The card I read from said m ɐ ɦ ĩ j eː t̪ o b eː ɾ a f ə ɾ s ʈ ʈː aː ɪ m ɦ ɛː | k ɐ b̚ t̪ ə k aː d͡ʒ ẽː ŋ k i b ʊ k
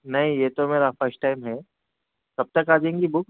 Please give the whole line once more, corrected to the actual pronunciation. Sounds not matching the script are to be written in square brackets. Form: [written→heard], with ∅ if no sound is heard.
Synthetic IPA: [m→n] ɐ ɦ ĩ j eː t̪ o [b→m] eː ɾ a f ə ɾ s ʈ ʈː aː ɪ m ɦ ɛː | k ɐ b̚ t̪ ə k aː d͡ʒ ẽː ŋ [k→ɡ] i b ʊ k